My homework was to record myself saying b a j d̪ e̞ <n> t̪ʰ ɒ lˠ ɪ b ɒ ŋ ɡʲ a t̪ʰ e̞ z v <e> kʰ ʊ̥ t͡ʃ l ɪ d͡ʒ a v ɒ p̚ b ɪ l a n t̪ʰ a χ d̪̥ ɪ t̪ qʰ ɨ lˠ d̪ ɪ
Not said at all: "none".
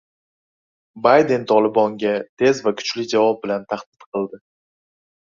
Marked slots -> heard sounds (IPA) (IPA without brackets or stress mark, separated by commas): n, a